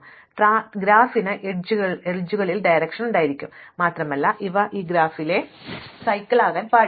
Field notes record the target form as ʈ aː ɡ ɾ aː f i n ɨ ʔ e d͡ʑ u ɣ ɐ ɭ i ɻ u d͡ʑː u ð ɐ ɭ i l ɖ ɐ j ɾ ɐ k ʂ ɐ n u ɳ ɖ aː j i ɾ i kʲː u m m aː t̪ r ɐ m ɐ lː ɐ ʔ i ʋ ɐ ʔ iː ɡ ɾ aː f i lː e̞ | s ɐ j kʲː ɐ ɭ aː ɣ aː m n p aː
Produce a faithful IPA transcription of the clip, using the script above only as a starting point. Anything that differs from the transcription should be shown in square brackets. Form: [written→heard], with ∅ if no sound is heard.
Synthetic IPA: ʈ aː ɡ ɾ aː f i n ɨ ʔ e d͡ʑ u ɣ ɐ ɭ [i→e] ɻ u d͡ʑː u [ð→ɣ] ɐ ɭ i l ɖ ɐ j ɾ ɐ k ʂ ɐ n u ɳ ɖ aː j i ɾ i kʲː u m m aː t̪ r ɐ m ɐ lː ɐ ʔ i ʋ ɐ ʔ iː ɡ ɾ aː f i [lː→l] e̞ | s ɐ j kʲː ɐ ɭ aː ɣ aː [m→∅] n p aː